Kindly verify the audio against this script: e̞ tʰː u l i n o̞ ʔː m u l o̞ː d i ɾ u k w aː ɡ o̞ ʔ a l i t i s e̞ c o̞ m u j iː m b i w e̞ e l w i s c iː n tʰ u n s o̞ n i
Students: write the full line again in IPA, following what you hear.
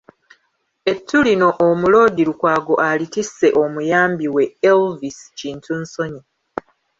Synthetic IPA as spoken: e̞ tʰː u l i n o̞ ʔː m u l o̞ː d i ɾ u k w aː ɡ o̞ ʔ a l i t i s e̞ ʔ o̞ m u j aː m b i w e̞ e l v i s c iː n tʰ u n s o̞ ɲ i